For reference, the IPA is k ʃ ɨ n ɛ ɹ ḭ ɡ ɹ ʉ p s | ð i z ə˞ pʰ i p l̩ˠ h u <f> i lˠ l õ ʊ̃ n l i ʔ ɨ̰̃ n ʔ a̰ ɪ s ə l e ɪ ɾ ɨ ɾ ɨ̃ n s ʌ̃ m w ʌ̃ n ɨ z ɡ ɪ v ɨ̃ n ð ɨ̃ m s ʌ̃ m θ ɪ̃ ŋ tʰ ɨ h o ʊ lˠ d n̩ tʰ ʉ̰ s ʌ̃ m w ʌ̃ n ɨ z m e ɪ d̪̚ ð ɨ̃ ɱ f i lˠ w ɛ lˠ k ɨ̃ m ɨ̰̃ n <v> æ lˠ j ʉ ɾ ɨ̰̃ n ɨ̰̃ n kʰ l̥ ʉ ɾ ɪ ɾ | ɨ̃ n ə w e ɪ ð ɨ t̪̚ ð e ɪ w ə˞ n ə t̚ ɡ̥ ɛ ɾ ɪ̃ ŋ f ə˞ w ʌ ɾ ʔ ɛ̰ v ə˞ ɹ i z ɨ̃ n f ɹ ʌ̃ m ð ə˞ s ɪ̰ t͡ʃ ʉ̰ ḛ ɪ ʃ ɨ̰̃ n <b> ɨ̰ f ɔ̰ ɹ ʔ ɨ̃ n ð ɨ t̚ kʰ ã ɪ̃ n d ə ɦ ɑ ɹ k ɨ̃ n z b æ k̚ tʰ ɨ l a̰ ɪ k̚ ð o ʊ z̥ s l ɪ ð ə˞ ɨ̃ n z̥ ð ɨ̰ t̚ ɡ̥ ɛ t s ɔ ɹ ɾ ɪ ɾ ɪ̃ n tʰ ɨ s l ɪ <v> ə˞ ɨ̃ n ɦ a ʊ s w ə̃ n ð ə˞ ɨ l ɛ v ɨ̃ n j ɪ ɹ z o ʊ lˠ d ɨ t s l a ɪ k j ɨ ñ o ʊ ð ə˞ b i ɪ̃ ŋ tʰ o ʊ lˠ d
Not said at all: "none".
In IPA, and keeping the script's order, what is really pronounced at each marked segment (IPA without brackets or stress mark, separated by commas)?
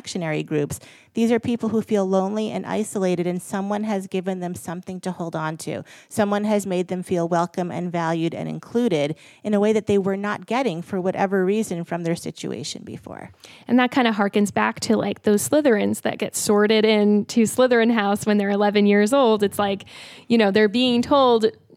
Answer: f, v, b, ð